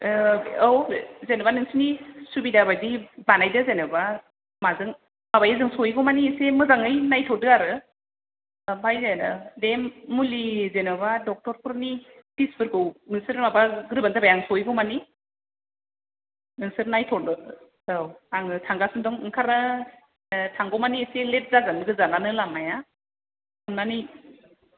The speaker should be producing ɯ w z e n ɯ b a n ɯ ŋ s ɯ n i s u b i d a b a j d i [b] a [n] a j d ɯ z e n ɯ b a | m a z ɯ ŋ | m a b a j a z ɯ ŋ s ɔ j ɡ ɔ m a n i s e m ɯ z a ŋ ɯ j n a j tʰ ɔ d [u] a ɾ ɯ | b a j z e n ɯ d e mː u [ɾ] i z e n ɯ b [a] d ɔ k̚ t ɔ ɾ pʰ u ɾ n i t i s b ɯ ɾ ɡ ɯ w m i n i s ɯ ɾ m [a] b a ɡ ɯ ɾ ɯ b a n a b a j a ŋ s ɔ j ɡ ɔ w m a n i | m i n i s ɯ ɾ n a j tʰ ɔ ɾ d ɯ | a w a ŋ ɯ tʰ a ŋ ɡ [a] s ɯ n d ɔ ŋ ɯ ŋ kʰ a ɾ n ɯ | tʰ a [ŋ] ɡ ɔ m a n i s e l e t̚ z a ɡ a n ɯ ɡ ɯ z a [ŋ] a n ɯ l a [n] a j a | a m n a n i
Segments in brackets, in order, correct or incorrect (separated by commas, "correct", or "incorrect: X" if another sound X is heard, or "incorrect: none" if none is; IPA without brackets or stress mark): correct, correct, incorrect: ɯ, incorrect: l, correct, correct, correct, correct, incorrect: n, incorrect: m